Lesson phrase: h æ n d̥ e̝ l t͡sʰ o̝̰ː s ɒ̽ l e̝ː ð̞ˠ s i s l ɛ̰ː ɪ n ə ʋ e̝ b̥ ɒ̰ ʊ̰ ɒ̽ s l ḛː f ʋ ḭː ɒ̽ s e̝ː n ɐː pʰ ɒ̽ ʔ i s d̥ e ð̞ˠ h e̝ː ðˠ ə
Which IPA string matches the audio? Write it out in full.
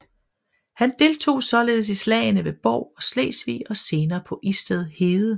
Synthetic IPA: h æ n d̥ e̝ l t͡sʰ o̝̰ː s ɒ̽ l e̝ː ð̞ˠ s i s l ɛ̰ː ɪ n ə ʋ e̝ b̥ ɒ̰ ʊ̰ ɒ̽ s l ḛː s ʋ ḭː ɒ̽ s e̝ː n ɐː pʰ ɒ̽ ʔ i s d̥ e ð̞ˠ h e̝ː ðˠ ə